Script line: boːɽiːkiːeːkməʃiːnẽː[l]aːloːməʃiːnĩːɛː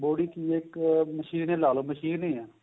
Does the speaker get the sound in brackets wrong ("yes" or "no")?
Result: no